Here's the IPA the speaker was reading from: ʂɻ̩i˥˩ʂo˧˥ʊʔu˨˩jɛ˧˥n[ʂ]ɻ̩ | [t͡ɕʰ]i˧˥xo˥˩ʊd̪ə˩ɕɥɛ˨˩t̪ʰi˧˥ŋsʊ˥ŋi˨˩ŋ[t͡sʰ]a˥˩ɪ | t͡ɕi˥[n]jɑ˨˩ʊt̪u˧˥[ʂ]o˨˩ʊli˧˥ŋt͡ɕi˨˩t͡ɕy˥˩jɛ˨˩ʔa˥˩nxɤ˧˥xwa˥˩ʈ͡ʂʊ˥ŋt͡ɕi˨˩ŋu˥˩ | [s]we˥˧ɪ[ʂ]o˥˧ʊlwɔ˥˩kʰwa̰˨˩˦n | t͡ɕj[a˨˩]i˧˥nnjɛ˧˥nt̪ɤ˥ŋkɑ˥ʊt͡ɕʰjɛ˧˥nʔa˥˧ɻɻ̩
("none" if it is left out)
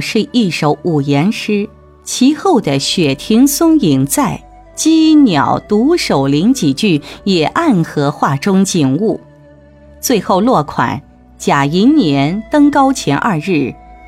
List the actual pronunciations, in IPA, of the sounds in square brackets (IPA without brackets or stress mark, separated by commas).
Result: ʂ, t͡ɕʰ, t͡s, n, ʂ, t͡s, x, a˨˩